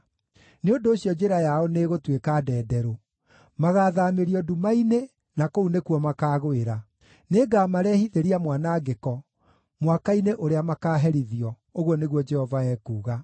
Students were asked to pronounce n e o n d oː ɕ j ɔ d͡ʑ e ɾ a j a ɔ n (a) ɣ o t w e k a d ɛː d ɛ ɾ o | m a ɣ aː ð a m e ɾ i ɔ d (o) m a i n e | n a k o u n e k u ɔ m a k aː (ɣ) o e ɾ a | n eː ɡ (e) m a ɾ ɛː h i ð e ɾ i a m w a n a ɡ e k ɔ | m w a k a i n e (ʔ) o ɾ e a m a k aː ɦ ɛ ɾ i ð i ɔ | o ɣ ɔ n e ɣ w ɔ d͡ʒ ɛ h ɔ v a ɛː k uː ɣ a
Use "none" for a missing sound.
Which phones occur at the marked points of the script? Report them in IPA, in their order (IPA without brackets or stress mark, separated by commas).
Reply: e, u, ɣ, a, ʔ